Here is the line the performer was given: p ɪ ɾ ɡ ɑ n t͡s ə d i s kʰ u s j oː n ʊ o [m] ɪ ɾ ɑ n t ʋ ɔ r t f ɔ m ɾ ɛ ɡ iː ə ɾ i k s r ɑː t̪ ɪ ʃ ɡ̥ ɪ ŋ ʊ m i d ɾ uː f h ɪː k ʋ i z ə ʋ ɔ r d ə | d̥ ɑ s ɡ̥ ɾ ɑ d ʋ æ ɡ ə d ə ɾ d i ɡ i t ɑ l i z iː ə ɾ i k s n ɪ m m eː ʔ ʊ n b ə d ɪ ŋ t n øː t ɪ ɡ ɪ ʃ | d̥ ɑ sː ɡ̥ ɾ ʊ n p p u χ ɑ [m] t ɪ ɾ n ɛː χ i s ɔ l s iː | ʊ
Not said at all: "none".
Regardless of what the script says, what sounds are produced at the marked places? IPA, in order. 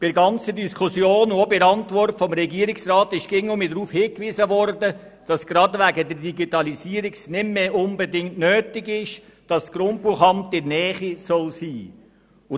b, m

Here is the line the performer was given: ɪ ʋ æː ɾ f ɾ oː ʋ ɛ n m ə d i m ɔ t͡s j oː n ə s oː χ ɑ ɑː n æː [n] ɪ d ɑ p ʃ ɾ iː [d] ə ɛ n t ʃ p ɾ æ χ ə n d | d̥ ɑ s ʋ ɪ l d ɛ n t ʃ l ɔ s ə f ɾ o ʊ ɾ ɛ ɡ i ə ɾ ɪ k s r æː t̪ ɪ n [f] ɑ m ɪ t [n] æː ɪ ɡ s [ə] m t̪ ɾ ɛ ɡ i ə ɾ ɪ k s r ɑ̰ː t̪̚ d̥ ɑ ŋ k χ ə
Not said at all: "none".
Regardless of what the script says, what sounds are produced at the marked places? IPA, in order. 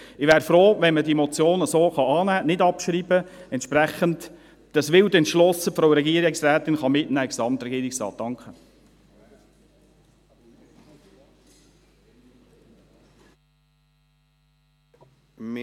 n, b, χ, n, ɑ

